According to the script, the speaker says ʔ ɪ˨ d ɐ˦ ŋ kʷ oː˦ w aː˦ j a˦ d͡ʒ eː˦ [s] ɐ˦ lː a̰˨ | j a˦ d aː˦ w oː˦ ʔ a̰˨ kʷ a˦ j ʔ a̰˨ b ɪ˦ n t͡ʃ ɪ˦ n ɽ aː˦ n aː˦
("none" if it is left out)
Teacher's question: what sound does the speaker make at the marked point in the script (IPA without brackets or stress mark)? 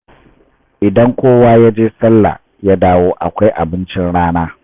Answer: s